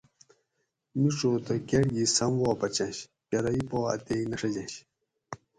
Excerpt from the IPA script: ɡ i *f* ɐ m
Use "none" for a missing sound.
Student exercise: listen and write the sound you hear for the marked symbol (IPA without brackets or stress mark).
s